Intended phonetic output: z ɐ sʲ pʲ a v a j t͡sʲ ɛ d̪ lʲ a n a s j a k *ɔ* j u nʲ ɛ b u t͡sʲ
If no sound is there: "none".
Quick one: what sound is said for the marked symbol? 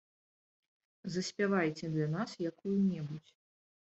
u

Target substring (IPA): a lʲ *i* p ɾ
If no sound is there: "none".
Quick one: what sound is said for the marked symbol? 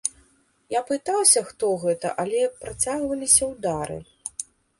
ɛ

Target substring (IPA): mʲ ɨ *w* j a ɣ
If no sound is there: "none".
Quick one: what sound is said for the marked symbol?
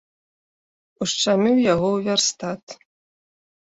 w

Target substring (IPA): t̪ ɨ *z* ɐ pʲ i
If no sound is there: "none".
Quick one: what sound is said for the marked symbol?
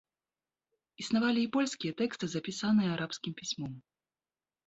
z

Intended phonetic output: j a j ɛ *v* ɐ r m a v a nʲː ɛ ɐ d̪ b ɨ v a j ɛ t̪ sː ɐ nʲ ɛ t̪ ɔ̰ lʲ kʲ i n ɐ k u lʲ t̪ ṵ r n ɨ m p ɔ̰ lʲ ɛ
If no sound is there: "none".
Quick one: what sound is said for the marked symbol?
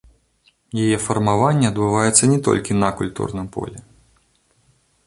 f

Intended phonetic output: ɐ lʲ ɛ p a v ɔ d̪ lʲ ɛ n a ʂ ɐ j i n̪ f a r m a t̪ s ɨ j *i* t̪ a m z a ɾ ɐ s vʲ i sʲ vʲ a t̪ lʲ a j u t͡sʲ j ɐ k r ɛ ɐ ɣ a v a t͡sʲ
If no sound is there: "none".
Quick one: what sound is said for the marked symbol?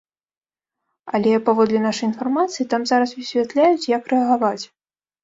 i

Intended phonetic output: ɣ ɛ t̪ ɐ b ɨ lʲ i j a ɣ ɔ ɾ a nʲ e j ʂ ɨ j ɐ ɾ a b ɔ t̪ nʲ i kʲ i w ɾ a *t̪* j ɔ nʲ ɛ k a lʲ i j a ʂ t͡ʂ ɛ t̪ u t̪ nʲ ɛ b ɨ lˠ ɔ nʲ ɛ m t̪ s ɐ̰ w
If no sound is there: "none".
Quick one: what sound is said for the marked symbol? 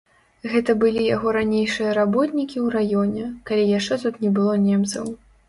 none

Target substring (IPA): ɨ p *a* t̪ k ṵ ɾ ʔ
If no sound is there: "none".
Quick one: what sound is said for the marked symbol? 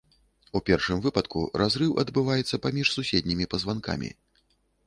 ɐ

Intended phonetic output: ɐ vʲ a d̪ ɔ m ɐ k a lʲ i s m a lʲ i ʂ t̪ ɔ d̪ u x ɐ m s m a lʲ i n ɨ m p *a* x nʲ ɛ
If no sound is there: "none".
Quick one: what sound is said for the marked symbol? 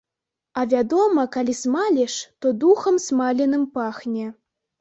a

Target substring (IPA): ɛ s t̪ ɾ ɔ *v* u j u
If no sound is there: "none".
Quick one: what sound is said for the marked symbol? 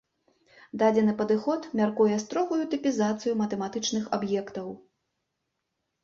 ɣ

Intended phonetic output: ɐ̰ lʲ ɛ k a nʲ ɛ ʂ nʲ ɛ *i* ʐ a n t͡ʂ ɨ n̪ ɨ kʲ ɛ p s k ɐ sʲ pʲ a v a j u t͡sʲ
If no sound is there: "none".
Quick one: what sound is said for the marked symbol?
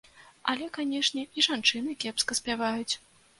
i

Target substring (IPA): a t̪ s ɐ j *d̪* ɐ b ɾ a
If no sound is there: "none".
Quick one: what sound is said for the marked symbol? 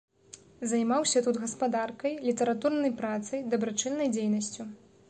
d̪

